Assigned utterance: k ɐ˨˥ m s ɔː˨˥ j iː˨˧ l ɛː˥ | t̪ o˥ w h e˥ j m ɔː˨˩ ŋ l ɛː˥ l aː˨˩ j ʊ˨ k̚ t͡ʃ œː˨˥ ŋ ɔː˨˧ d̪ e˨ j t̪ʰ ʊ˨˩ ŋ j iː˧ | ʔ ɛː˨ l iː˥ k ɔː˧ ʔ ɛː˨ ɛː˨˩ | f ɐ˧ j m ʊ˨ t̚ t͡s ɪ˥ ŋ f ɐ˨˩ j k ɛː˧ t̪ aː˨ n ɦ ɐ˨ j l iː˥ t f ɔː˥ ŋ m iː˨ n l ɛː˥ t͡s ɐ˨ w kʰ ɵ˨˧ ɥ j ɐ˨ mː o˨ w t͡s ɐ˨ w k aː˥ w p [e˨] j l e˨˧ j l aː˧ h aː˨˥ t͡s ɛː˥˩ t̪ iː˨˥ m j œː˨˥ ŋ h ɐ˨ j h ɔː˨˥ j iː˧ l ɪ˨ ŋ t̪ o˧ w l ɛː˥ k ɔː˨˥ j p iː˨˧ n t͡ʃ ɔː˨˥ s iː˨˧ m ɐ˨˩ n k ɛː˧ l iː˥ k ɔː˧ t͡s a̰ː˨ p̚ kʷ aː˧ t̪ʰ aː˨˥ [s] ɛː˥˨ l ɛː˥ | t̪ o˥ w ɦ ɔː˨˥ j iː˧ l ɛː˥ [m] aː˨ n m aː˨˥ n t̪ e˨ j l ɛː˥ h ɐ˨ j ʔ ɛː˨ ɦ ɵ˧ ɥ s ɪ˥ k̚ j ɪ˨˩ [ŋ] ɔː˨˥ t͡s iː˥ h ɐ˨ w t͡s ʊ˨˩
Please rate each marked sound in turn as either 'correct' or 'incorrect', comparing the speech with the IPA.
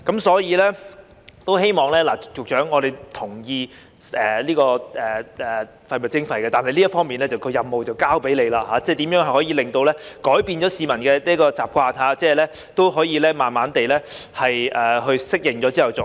incorrect: e˨˥, incorrect: t͡s, correct, correct

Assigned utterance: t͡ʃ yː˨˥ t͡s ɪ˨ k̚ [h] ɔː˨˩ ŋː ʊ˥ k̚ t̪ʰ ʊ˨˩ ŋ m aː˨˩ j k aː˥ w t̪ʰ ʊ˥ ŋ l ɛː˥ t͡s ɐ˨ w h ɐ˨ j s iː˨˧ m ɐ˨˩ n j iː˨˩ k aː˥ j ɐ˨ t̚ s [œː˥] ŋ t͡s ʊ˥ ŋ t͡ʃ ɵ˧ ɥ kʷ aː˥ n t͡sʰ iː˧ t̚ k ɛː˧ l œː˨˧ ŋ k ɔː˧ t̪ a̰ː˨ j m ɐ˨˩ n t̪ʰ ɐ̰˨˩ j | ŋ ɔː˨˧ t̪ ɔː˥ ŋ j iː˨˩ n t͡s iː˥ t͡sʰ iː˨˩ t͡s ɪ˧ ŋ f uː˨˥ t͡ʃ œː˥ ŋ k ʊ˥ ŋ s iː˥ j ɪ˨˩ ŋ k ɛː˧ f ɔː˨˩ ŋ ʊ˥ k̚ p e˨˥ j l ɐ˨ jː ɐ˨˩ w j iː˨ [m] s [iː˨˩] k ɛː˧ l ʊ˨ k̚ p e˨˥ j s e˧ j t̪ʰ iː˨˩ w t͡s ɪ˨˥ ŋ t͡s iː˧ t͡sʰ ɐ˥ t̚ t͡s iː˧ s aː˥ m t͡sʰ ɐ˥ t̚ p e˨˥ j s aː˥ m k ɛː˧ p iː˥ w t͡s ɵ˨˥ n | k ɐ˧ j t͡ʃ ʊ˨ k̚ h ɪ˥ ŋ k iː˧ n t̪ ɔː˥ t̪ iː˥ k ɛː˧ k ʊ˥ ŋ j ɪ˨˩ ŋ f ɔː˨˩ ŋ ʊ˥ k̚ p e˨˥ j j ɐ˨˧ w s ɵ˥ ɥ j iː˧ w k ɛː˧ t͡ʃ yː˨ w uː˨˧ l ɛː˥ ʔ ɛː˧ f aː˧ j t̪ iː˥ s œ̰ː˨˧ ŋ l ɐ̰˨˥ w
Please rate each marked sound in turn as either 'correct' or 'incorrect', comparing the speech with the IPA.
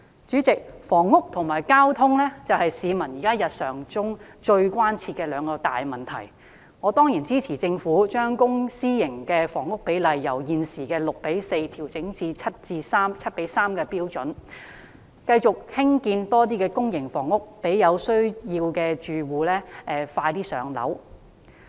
incorrect: f, incorrect: œː˨˩, incorrect: n, correct

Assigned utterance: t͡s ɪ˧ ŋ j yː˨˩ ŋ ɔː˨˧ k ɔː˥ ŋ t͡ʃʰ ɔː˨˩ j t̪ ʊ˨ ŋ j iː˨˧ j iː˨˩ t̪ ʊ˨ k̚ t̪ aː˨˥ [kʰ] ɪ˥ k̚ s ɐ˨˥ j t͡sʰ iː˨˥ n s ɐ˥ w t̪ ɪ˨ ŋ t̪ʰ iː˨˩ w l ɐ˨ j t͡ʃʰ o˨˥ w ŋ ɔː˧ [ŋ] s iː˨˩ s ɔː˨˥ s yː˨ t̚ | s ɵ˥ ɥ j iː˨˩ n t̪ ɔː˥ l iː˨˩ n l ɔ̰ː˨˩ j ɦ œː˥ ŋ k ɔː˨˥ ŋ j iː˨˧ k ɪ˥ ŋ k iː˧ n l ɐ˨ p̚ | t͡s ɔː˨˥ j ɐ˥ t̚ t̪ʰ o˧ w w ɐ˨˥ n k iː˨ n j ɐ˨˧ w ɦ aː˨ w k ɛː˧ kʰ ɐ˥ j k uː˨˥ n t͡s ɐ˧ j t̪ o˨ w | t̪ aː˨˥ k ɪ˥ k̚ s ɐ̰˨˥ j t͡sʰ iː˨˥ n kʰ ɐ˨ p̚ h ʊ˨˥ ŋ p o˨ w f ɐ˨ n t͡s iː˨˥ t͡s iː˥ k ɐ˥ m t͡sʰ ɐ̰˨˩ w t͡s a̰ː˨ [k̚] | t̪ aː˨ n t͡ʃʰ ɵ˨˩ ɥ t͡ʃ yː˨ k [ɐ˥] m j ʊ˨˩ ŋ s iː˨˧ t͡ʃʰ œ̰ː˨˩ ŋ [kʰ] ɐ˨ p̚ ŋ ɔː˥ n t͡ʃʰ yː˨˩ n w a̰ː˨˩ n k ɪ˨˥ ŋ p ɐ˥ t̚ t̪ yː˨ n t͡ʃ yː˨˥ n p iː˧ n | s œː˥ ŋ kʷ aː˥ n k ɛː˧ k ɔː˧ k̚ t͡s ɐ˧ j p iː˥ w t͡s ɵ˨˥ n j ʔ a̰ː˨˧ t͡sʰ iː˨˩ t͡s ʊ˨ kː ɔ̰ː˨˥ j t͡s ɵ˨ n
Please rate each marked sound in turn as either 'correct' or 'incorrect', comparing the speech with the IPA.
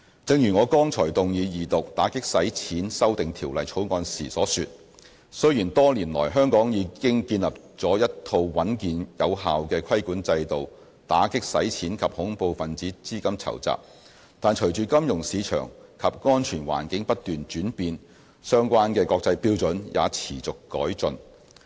incorrect: k, incorrect: n, incorrect: p̚, correct, correct

